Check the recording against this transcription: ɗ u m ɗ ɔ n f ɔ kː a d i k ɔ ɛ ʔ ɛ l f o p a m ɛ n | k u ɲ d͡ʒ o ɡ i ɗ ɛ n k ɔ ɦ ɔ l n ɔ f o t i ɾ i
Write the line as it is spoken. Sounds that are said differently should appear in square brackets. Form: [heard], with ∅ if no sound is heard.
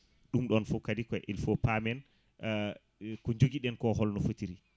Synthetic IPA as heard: ɗ u m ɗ ɔ n f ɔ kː a d i k ɔ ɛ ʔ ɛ l f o p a m ɛ n | k [ɔ] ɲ d͡ʒ o ɡ i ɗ ɛ n k ɔ ɦ ɔ l n ɔ f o t i ɾ i